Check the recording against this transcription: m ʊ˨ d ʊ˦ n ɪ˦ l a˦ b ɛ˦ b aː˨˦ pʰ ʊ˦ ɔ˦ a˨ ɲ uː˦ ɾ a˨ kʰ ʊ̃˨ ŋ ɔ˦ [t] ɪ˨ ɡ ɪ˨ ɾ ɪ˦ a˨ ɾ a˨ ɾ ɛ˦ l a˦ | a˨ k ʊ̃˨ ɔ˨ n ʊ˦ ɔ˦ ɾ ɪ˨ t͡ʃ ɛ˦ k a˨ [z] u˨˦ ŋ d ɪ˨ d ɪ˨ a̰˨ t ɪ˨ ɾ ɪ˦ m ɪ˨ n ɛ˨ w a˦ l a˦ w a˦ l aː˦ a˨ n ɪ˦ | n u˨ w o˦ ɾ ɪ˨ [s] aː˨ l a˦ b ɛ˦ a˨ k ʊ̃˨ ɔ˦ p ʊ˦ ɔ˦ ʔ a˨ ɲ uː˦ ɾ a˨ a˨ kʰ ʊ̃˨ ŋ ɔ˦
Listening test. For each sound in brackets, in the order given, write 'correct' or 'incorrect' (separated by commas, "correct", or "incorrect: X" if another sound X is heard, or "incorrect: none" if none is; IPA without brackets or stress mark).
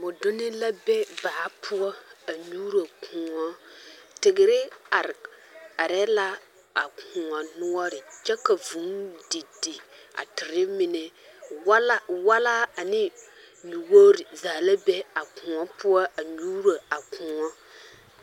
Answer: correct, incorrect: v, incorrect: z